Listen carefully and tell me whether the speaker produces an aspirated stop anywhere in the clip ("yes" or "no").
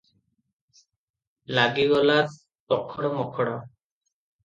yes